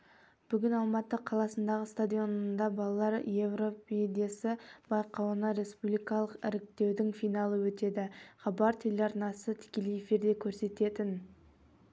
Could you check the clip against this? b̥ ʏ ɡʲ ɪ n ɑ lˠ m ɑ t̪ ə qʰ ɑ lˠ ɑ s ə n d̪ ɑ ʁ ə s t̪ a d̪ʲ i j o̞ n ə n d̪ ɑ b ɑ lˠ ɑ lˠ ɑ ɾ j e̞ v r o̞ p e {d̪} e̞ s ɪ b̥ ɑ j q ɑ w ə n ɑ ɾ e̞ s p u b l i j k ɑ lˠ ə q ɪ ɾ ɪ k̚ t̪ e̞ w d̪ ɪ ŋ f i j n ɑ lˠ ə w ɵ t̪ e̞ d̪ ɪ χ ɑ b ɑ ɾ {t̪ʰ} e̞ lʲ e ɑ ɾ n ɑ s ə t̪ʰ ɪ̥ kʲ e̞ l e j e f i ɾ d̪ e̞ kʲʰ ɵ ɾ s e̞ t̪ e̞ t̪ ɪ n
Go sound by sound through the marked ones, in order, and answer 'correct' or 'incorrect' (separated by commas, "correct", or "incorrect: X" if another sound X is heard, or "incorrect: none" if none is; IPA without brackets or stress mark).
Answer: correct, correct